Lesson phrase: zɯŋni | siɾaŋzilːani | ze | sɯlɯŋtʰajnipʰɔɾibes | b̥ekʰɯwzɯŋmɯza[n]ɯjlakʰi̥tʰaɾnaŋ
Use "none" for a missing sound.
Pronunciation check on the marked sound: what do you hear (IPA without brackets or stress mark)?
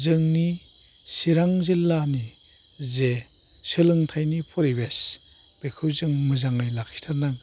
ŋ